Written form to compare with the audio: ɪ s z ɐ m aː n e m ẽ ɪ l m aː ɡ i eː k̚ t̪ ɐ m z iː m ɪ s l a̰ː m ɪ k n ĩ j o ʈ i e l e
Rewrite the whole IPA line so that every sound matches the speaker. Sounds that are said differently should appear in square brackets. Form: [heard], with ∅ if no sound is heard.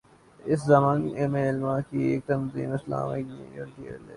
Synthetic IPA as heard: ɪ s z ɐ m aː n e m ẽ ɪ l m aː [k] i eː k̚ t̪ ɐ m z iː m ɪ s l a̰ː m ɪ k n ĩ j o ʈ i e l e